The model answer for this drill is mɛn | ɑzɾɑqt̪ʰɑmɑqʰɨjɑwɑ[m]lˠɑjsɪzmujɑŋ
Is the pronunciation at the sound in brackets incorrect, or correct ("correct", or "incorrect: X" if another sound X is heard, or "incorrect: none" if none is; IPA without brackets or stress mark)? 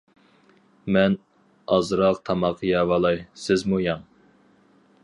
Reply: incorrect: none